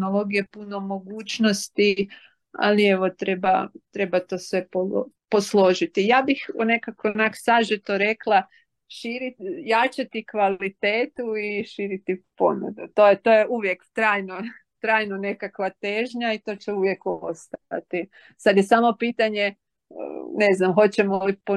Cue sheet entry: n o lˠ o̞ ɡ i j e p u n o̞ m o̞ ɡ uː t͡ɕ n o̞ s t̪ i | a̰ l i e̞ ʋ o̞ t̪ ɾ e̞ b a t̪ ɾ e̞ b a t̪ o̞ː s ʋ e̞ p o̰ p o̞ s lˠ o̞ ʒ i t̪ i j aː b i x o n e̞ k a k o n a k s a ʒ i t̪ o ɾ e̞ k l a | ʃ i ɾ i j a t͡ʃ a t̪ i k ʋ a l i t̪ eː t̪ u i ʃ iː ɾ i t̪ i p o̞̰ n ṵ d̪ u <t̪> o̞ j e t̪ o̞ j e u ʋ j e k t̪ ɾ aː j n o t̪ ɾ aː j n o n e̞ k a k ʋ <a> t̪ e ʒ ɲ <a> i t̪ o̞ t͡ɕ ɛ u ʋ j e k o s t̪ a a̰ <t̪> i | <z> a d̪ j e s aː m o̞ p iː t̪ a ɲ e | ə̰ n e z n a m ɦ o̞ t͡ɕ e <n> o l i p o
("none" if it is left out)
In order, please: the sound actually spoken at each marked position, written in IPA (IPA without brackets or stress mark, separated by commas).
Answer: t̪, a, a, t̪, s, m